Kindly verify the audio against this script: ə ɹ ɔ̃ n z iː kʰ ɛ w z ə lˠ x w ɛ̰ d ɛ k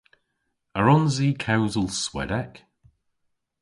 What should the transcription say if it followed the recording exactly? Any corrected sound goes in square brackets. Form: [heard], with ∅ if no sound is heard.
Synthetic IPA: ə ɹ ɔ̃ n z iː kʰ [a] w z ə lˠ [s] w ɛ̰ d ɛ k